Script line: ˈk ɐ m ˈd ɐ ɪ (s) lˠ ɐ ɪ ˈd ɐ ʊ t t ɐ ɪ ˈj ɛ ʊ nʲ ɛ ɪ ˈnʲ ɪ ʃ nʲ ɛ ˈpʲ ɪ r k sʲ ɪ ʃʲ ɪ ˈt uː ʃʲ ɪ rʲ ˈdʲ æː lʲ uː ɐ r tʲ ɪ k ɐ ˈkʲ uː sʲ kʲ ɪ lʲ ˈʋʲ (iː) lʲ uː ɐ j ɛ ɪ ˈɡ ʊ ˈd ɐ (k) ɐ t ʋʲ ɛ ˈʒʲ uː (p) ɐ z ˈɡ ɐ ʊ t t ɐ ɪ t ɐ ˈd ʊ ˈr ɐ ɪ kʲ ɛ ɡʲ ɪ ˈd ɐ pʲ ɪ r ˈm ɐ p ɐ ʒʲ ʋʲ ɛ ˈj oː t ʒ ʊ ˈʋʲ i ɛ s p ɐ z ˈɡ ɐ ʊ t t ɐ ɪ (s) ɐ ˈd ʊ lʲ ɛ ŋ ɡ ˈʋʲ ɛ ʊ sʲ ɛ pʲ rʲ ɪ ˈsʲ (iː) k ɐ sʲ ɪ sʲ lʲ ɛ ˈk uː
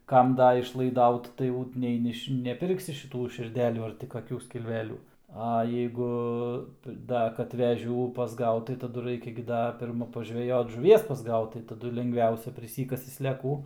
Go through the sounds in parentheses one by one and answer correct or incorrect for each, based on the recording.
incorrect: ʃ, incorrect: æː, correct, correct, incorrect: t, correct

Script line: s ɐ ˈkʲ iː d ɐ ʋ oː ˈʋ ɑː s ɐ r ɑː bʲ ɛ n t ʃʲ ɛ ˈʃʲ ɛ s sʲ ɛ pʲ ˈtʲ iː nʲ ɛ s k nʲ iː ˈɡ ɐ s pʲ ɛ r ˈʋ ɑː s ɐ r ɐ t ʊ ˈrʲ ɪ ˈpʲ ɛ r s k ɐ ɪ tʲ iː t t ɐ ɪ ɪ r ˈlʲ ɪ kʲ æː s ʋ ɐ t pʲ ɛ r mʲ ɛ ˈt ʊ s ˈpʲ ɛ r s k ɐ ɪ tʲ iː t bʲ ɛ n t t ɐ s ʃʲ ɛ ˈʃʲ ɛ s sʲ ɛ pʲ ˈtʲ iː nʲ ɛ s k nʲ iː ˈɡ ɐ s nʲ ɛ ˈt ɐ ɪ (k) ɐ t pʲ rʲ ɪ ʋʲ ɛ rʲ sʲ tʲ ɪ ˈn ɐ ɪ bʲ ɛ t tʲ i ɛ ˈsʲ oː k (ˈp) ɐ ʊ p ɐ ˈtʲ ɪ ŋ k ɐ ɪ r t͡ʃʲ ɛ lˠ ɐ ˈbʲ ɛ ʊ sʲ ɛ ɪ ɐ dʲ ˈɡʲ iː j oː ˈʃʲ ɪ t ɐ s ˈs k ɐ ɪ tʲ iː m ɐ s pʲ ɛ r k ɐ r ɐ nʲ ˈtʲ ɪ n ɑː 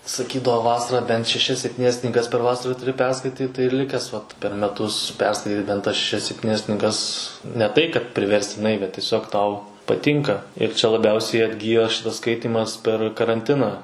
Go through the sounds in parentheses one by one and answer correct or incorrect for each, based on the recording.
correct, incorrect: t

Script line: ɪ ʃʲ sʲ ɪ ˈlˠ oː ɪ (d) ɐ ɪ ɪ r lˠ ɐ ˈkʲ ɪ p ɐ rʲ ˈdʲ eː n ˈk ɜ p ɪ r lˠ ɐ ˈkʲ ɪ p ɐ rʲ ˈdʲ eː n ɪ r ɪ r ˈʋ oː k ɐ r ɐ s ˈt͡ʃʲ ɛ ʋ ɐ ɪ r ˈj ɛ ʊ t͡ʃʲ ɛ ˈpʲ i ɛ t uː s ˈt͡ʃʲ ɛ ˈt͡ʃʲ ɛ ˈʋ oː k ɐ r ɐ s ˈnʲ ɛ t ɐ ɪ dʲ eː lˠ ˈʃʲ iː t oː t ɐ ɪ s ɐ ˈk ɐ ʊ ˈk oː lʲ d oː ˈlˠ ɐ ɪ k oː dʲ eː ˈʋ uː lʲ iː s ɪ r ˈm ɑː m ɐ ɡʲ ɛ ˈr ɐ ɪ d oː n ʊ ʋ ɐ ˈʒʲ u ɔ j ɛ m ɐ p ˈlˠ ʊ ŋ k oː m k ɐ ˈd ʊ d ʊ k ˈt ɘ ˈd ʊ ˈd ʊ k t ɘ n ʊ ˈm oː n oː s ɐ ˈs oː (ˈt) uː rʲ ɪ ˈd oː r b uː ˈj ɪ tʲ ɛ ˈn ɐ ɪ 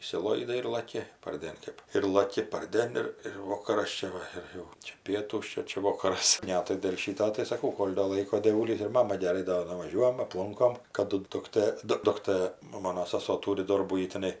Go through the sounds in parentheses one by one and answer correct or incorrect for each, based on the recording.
correct, correct

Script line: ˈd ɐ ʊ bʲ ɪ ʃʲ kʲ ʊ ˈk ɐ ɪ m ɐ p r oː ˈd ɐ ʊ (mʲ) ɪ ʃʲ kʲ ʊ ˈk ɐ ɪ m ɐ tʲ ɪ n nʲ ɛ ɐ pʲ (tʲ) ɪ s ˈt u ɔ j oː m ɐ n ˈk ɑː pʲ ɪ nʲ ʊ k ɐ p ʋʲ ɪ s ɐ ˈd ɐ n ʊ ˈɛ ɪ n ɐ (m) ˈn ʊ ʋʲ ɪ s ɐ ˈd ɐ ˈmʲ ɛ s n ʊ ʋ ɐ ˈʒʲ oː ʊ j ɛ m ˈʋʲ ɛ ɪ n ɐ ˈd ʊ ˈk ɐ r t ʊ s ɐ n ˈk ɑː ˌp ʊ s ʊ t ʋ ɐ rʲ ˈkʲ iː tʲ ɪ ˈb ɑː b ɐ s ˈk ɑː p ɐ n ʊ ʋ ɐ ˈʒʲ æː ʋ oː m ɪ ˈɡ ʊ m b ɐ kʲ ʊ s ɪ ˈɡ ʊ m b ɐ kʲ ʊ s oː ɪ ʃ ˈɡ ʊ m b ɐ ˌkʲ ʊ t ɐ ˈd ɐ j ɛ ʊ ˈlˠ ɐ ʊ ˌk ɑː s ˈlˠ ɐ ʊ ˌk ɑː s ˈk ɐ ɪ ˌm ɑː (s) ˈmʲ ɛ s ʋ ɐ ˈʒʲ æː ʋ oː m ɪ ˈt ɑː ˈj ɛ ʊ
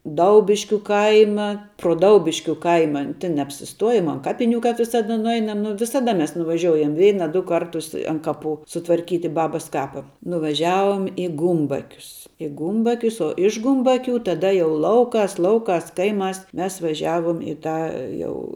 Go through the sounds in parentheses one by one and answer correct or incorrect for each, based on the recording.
incorrect: bʲ, incorrect: sʲ, correct, correct

